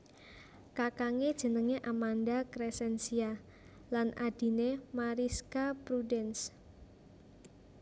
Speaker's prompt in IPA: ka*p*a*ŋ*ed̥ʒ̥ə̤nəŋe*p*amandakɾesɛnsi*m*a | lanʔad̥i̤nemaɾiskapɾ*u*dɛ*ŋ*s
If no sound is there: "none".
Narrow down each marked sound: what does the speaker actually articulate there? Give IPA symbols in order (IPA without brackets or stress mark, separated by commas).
k, ŋ, ʔ, none, u, n